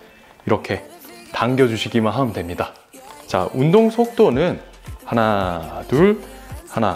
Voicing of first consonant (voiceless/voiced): voiced